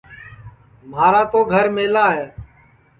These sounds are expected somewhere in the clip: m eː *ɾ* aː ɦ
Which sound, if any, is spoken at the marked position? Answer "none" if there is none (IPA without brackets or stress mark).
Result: l